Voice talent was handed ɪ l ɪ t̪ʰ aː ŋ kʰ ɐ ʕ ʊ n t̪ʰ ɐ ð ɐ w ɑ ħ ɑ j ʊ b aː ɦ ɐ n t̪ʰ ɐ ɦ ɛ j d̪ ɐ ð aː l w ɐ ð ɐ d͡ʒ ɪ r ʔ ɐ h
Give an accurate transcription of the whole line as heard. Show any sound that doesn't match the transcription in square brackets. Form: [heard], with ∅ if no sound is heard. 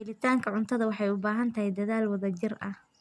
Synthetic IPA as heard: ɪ l ɪ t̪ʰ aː ŋ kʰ ɐ ʕ ʊ n t̪ʰ ɐ ð ɐ w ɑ ħ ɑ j ʊ b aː ɦ ɐ n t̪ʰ ɐ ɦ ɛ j d̪ ɐ ð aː l w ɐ ð ɐ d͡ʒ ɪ r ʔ ɐ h